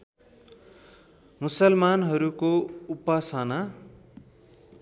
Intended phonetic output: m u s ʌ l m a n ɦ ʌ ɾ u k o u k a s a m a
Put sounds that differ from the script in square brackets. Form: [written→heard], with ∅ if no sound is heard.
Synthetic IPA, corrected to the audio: m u s ʌ l m a n ɦ ʌ ɾ u k o u [k→p] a s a [m→n] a